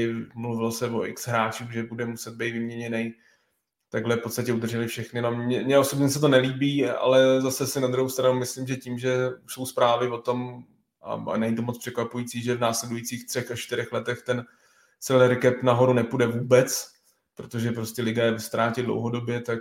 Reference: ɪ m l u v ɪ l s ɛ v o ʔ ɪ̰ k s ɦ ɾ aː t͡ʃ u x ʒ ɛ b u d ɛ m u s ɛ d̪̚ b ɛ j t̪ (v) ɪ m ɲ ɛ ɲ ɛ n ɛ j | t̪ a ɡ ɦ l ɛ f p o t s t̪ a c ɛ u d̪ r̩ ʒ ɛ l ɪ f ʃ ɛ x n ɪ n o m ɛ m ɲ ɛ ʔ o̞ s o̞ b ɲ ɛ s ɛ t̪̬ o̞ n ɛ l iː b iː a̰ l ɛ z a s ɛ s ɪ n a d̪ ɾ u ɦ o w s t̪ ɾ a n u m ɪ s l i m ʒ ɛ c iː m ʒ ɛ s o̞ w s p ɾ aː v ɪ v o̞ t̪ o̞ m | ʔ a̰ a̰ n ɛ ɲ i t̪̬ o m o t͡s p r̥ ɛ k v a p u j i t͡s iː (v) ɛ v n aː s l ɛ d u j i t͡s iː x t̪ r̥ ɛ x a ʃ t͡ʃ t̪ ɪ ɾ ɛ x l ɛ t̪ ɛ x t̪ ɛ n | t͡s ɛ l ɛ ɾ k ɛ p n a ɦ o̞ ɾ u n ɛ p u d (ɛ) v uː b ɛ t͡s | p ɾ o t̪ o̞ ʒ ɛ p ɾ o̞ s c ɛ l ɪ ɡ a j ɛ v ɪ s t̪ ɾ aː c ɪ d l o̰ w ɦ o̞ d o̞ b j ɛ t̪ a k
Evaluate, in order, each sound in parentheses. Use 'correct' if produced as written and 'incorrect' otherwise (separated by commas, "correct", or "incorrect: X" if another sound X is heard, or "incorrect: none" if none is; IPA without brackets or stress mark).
correct, incorrect: ʒ, correct